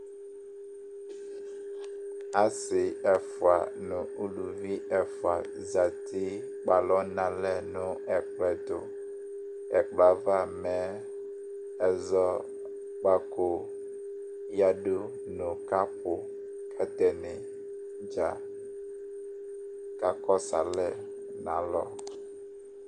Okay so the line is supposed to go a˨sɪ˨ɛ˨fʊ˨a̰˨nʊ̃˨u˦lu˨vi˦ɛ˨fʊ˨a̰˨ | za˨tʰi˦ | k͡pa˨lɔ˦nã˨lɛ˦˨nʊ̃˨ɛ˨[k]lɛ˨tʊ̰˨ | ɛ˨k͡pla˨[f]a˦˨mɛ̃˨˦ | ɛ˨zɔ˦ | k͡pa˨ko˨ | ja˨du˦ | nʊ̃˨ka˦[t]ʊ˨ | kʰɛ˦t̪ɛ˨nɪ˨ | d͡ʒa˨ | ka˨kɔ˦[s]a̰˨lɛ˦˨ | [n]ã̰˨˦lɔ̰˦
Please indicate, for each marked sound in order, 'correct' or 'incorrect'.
incorrect, incorrect, incorrect, correct, correct

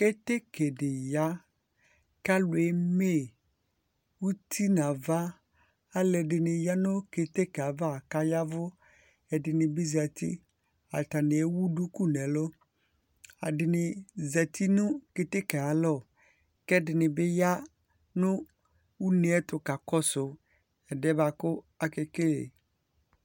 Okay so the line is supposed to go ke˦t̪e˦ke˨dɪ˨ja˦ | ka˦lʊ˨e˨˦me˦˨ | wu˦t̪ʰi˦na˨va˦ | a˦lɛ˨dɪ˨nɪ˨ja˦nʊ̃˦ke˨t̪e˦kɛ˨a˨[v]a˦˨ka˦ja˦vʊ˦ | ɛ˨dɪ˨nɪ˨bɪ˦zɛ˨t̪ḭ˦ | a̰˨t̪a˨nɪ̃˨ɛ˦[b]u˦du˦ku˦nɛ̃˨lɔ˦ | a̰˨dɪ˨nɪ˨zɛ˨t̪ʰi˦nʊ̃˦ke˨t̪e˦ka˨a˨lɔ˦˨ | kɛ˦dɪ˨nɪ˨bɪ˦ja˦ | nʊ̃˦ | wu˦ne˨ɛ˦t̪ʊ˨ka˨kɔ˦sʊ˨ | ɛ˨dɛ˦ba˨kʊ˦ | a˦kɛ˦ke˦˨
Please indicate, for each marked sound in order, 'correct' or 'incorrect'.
correct, incorrect

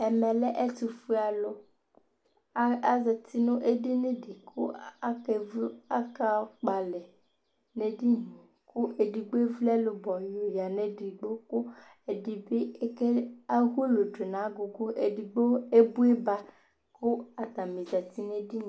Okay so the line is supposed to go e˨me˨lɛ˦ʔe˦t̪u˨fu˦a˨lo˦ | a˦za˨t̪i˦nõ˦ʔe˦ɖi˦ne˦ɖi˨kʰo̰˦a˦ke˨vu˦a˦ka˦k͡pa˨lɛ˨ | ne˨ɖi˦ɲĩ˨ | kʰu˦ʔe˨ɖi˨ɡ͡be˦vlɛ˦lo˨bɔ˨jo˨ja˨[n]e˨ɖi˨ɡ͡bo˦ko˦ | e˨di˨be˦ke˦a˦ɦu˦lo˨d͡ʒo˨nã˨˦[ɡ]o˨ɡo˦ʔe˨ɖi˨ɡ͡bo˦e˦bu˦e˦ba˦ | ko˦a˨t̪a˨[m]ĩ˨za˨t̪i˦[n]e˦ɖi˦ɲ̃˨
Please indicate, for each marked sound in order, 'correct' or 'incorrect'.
correct, correct, correct, correct

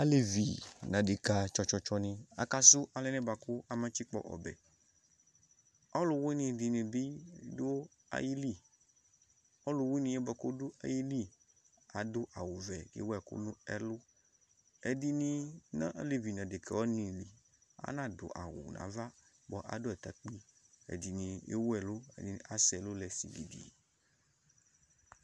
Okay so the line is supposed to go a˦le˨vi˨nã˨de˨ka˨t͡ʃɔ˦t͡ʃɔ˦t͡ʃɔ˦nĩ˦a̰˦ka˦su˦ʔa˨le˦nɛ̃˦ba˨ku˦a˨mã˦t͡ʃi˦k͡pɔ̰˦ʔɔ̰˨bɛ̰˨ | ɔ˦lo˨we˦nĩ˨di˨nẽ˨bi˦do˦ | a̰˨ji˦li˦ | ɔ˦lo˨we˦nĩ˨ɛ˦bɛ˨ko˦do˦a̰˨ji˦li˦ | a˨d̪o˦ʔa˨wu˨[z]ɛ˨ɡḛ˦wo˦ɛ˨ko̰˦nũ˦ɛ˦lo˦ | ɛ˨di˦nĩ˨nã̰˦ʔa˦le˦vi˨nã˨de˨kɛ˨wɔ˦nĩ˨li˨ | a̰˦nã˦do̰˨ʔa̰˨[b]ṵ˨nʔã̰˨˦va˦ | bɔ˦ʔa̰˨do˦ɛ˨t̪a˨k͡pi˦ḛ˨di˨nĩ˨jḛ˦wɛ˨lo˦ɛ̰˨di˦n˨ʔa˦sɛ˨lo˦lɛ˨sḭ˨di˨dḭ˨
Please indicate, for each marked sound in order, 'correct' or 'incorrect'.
incorrect, incorrect

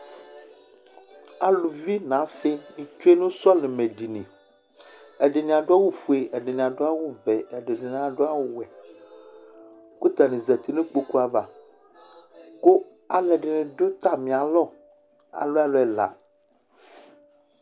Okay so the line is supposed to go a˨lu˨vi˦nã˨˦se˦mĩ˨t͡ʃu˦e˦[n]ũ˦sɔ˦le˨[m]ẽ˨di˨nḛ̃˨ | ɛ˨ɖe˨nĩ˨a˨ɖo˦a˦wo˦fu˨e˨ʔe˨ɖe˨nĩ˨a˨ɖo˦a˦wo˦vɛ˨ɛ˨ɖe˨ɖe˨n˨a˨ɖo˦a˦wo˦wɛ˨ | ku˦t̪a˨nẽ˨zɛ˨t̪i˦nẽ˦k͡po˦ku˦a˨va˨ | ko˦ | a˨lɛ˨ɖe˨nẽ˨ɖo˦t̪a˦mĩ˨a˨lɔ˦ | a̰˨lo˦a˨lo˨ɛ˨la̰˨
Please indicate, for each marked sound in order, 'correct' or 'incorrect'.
correct, correct

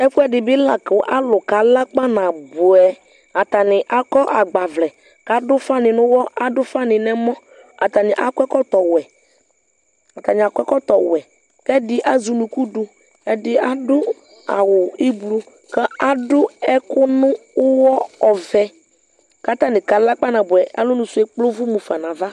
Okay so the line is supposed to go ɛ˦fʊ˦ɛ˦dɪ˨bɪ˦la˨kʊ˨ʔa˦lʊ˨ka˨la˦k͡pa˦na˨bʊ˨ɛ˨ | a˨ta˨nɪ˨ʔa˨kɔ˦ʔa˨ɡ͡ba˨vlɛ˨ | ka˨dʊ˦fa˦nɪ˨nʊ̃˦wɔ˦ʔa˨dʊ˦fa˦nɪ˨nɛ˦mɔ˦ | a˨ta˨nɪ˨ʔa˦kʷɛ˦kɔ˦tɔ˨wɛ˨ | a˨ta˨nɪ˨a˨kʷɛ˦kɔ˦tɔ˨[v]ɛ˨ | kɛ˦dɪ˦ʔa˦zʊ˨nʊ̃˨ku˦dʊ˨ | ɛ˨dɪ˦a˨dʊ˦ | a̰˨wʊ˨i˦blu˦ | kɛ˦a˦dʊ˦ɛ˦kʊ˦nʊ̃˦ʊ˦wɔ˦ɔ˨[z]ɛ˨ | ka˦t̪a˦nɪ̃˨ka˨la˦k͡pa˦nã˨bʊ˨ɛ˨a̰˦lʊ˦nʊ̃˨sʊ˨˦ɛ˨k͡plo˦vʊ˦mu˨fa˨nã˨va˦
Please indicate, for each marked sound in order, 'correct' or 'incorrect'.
incorrect, incorrect

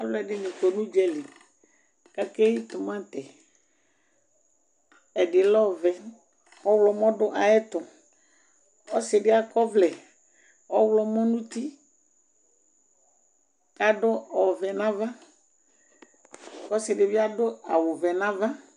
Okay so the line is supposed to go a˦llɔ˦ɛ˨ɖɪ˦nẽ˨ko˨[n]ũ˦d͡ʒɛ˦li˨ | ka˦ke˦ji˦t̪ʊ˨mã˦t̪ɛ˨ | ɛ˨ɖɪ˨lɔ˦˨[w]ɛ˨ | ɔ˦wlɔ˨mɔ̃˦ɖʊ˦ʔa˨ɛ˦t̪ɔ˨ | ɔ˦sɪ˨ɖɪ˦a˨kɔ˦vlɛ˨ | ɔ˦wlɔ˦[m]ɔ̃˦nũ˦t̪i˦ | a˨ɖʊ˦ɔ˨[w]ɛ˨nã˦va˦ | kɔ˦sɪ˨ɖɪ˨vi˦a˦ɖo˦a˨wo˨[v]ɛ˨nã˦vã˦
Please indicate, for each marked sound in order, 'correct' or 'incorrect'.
correct, incorrect, correct, incorrect, correct

